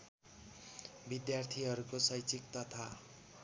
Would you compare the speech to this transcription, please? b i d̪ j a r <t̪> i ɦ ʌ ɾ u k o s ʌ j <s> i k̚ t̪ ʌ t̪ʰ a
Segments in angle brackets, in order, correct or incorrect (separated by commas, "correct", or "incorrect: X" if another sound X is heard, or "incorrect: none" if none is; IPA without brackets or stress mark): incorrect: t̪ʰ, incorrect: t͡s